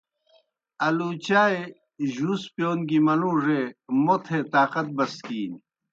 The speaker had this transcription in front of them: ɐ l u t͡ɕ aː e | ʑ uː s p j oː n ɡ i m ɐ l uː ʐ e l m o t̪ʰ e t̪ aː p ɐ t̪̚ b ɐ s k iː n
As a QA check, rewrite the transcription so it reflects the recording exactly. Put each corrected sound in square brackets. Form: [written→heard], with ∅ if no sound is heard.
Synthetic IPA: ɐ l u t͡ɕ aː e | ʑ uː s p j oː n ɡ i m ɐ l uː ʐ e [l→∅] m o t̪ʰ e t̪ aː [p→q] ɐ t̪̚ b ɐ s k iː n